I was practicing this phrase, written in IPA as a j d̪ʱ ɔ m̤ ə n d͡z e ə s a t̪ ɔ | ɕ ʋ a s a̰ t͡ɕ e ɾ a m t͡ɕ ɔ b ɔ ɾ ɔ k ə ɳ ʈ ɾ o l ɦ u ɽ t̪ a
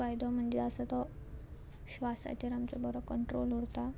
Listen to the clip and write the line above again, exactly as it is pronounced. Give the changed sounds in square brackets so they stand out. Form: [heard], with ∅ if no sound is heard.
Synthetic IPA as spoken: a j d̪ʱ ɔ m̤ ə [ɳ] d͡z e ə s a t̪ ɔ | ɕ ʋ a s a̰ t͡ɕ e ɾ a m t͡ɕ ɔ b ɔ ɾ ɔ k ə ɳ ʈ ɾ o l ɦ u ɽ t̪ a